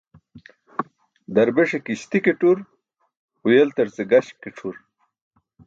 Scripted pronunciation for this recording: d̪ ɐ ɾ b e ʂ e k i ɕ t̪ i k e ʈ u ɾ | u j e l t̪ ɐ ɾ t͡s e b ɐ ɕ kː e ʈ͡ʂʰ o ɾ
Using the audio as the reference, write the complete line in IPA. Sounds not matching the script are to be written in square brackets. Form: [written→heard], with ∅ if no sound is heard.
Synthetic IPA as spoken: d̪ ɐ ɾ b e ʂ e k i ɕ t̪ i k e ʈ u ɾ | u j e l t̪ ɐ ɾ t͡s e [b→ɡ] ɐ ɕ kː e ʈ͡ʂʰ [o→u] ɾ